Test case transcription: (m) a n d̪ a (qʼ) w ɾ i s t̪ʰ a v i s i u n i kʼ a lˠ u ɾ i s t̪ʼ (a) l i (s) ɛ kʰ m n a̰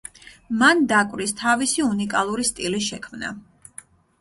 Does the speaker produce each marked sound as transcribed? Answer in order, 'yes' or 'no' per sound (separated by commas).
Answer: yes, no, no, no